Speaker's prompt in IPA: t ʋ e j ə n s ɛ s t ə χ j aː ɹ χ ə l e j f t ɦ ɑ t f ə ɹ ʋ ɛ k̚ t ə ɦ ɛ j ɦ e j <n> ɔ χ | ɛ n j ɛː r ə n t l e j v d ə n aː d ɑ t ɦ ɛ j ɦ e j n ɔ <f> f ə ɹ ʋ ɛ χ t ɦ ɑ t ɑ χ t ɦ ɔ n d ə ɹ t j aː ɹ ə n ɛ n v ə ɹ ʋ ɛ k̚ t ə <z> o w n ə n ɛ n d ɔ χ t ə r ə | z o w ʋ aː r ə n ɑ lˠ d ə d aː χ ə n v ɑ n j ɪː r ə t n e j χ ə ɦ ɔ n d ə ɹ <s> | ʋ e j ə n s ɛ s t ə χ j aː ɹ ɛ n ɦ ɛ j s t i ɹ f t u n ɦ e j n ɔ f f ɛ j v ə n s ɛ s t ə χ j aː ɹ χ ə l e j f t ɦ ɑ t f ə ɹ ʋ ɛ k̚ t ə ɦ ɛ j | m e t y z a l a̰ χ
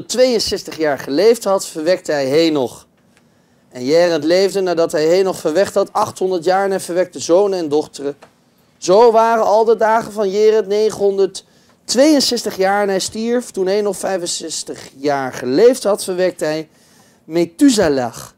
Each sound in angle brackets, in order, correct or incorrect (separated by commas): correct, incorrect, correct, incorrect